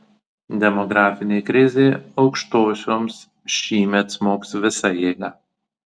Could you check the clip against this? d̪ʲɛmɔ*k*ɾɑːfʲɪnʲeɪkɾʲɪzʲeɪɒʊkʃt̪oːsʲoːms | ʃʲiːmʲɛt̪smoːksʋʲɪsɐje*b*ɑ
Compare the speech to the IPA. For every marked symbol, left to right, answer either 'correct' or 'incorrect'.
incorrect: ɡ, incorrect: ɡ

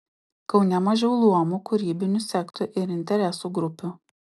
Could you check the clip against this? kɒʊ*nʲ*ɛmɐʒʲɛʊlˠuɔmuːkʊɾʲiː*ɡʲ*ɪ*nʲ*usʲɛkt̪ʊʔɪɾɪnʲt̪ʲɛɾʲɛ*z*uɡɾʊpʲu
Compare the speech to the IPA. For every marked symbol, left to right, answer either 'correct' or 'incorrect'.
correct, incorrect: bʲ, correct, incorrect: s

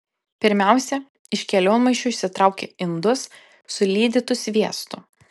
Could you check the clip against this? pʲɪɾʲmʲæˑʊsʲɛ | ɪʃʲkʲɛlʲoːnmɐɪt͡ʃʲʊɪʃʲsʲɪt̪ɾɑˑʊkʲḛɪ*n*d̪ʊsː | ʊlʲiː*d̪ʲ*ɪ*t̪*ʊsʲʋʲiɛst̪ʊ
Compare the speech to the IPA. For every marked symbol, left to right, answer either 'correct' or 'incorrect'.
correct, correct, correct

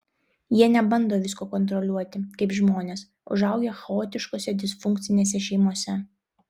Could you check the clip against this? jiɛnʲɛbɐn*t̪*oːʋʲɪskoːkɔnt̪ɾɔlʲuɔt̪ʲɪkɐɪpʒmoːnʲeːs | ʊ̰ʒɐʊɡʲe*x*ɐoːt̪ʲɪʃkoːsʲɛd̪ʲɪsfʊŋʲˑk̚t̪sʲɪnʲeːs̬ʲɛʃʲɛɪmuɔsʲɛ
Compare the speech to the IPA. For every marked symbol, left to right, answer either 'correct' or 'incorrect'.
incorrect: d̪, correct

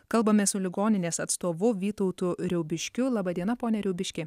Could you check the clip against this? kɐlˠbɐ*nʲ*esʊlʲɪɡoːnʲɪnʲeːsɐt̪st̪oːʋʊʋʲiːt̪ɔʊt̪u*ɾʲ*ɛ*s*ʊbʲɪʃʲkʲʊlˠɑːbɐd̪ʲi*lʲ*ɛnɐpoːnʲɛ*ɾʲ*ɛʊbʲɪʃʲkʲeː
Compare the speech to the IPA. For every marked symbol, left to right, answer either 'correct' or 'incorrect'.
incorrect: mʲ, correct, incorrect: none, incorrect: none, correct

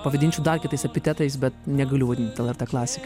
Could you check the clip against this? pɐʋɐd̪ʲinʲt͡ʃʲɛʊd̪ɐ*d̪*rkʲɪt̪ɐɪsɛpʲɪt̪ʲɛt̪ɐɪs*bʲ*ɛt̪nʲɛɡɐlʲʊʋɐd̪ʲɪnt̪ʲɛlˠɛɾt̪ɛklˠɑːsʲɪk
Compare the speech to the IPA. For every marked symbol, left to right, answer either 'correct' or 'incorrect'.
incorrect: none, correct

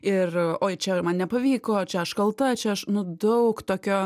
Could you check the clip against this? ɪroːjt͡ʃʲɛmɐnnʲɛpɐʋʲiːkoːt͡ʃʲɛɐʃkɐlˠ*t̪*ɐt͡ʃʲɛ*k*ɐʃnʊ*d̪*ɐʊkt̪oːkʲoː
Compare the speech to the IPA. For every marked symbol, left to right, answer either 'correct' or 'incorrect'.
correct, incorrect: none, correct

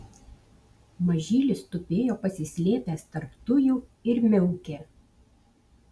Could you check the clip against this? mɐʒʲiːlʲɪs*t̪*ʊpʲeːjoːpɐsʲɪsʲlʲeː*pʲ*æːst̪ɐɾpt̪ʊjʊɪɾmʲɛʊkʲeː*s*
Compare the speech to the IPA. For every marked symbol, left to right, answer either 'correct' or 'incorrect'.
correct, correct, incorrect: none

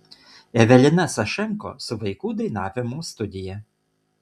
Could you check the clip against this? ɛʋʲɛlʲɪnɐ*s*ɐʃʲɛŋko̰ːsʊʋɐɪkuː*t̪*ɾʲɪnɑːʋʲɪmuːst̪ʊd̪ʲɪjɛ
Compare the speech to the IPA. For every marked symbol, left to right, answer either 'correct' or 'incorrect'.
correct, incorrect: d̪

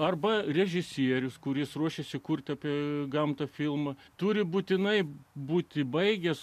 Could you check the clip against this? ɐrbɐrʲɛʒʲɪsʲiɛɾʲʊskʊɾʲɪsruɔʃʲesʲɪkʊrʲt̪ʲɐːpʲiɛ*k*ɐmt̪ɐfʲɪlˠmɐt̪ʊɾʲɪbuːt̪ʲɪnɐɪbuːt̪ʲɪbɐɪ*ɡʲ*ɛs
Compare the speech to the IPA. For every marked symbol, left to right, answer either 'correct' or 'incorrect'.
incorrect: ɡ, correct

